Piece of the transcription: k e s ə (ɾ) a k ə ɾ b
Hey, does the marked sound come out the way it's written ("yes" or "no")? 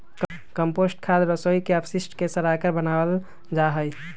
yes